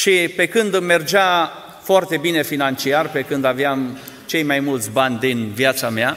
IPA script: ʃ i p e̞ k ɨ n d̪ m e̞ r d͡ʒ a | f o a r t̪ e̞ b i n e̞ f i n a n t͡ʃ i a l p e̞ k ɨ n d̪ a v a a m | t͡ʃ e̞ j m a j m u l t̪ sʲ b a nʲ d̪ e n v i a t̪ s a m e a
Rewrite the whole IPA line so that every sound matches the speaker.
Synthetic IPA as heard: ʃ i p e̞ k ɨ n d̪ m e̞ r d͡ʒ a | f o a r t̪ e̞ b i n e̞ f i n a n t͡ʃ i a r p e̞ k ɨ n d̪ a v e a m | t͡ʃ e̞ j m a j m u l t̪ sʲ b a nʲ d̪ i n v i a t̪ s a m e a